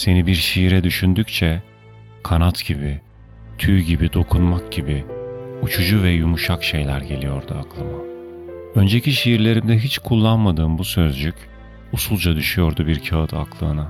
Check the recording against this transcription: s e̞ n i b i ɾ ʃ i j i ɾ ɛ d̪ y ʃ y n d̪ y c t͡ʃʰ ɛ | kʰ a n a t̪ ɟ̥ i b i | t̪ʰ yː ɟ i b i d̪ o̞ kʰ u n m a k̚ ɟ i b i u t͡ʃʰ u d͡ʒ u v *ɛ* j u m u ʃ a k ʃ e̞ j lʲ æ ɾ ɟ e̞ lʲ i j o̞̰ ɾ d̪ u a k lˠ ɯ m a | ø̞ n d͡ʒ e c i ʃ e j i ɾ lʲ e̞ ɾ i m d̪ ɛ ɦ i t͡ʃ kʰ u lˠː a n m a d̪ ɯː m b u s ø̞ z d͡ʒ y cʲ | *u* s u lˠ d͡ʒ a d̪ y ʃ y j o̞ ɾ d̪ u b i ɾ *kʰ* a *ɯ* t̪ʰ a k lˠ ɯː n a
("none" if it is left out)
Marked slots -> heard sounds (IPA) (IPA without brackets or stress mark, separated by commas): ɛ, u, cʰ, ɯ